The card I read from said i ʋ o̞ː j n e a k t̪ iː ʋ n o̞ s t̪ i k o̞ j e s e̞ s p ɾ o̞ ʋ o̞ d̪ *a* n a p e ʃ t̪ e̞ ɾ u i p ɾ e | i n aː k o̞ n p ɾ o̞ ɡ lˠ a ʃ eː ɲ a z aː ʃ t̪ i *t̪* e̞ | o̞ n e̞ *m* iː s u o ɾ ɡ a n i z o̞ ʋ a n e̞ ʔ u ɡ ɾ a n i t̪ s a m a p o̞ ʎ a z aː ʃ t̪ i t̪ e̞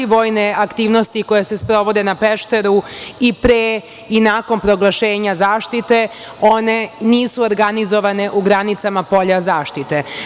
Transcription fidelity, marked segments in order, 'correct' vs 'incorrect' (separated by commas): incorrect, correct, incorrect